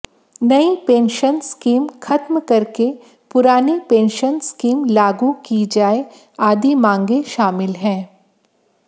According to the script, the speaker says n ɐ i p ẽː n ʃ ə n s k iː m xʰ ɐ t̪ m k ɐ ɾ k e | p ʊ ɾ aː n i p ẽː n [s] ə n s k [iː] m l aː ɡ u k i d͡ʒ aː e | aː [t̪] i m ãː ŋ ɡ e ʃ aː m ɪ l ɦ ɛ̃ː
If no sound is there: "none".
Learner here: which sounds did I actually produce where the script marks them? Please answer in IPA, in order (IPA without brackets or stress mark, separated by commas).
ʃ, iː, d̪